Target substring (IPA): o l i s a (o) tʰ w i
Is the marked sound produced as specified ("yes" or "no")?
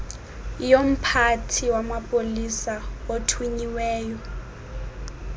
yes